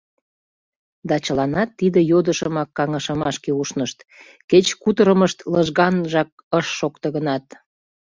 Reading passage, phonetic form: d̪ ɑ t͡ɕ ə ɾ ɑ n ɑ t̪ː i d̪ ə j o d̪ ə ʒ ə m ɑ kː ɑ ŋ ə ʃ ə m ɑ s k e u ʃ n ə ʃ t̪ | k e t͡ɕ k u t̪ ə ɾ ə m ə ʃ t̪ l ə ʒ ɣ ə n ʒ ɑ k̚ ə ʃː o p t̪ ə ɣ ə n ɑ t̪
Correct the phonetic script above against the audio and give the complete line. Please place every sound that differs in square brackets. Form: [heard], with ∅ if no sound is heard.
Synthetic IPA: d̪ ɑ t͡ɕ ə [l] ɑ n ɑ t̪ː i d̪ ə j o d̪ ə [ʃ] ə m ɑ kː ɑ ŋ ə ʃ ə m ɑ [ʃ] k e u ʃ n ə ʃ t̪ | k e t͡ɕ k u t̪ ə ɾ ə m ə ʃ t̪ l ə ʒ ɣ [ɑ] n ʒ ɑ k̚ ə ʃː o [k] t̪ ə ɣ ə n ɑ t̪